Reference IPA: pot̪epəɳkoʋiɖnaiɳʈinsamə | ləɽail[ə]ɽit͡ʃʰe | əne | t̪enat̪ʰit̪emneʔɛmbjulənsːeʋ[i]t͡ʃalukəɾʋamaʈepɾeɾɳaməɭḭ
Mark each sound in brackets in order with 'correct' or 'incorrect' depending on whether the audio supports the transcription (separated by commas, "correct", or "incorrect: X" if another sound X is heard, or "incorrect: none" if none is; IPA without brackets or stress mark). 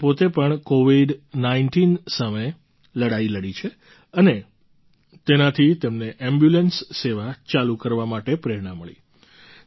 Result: correct, incorrect: a